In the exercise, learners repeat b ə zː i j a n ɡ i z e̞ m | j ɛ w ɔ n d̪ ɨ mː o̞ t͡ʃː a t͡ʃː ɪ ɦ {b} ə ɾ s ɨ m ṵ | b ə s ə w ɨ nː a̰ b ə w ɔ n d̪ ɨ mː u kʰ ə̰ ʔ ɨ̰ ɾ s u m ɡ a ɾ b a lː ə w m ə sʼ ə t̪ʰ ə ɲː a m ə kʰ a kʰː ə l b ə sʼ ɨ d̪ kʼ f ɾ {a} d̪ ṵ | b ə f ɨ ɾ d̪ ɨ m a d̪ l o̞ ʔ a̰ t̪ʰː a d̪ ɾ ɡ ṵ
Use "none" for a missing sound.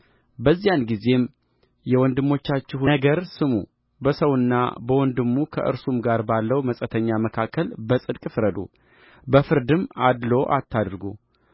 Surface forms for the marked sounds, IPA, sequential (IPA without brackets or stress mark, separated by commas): ɡ, ə